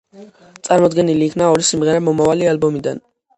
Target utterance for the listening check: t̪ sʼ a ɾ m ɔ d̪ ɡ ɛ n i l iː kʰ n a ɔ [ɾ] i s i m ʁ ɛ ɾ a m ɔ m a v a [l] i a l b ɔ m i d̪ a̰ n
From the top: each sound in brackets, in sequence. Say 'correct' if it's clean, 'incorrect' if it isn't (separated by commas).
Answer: correct, correct